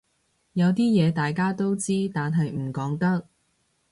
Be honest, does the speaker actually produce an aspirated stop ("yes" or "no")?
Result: no